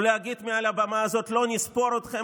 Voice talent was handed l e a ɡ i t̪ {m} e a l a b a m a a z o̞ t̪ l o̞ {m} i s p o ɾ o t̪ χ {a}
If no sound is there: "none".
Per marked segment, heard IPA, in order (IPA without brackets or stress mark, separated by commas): m, n, e